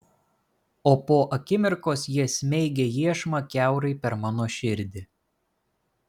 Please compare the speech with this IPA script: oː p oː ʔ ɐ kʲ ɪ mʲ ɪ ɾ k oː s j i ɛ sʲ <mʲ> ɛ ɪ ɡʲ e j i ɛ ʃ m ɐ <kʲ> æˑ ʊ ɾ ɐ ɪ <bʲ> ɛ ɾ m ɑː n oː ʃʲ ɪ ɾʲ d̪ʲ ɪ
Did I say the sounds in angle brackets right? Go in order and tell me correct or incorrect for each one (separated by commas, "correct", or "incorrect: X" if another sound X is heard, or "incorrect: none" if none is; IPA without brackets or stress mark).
correct, correct, incorrect: pʲ